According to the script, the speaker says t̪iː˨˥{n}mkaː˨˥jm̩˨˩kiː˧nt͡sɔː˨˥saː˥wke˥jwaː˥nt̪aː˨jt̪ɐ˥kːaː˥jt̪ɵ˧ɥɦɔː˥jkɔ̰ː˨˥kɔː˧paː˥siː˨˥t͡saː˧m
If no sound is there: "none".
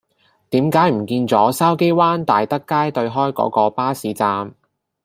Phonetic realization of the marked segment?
none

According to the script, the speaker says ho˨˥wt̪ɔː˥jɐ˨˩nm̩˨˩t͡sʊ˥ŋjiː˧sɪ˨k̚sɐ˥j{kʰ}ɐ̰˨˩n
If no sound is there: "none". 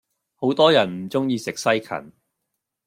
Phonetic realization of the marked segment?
kʰ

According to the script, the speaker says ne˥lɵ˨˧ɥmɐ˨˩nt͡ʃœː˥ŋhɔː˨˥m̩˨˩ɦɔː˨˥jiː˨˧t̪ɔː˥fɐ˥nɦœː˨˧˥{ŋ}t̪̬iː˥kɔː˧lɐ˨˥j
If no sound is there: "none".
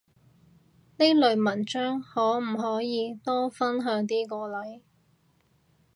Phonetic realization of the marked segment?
ŋ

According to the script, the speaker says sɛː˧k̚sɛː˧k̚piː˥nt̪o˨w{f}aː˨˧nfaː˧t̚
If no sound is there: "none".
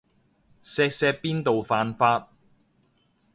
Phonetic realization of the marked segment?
f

